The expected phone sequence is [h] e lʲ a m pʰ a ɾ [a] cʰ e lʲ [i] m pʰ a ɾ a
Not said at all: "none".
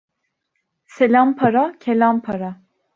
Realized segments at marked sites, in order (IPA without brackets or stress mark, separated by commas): s, a, a